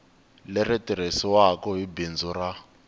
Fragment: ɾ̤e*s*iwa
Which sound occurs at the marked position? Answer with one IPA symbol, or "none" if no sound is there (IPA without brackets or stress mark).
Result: s